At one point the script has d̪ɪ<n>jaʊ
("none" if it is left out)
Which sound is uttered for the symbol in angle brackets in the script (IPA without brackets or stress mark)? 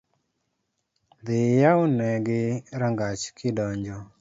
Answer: none